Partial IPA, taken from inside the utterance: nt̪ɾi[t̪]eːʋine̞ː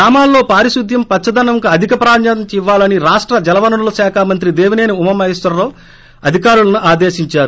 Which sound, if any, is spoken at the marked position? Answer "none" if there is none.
d̪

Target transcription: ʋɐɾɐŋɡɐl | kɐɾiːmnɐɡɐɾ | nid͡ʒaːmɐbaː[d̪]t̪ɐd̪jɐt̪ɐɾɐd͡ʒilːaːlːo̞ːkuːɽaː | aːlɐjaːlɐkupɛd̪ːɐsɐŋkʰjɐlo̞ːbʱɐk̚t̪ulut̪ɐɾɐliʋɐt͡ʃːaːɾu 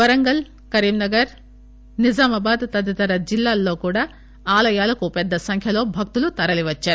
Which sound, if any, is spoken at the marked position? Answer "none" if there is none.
d̪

